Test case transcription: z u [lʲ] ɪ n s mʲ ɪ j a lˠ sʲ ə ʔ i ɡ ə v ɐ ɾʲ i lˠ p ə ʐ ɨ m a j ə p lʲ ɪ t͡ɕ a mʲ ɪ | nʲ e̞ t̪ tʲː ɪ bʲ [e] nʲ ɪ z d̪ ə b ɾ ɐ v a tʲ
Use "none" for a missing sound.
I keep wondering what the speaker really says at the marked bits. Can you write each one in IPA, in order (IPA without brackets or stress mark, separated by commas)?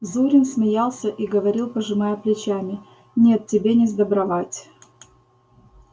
ɾʲ, e